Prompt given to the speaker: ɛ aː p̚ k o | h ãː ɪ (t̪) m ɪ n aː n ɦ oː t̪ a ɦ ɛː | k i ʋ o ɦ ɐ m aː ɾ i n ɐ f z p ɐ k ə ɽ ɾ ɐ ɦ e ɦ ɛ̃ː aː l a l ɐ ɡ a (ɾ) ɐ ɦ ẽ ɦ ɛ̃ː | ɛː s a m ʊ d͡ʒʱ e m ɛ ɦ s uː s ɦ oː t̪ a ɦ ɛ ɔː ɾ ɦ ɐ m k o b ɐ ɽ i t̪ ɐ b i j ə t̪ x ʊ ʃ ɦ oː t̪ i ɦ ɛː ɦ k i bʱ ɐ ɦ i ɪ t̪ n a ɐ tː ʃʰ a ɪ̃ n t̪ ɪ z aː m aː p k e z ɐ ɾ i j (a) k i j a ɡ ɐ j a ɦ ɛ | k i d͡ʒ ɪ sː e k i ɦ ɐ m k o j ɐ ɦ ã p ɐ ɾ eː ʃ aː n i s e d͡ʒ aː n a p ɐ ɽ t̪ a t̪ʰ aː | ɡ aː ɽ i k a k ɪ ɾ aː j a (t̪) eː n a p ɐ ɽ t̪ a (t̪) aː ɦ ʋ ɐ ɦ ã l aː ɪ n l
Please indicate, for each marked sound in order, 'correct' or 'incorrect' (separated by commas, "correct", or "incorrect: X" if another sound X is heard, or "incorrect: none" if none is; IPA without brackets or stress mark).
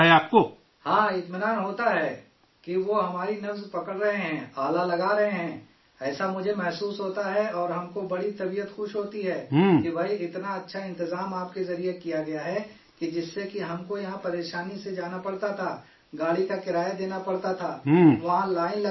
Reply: correct, correct, incorrect: e, incorrect: d̪, incorrect: t̪ʰ